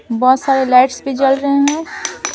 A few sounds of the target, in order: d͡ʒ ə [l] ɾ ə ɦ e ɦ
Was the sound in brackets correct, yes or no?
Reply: yes